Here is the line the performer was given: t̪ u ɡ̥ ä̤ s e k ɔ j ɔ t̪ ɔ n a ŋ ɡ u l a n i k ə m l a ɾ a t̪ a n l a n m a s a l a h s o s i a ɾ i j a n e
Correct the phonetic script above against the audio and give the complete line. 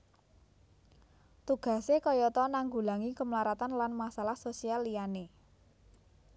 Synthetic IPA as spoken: t̪ u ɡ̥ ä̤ s e k ɔ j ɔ t̪ ɔ n a ŋ ɡ u l a ŋ i k ə m l a ɾ a t̪ a n l a n m a s a l a h s o s i a l i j a n e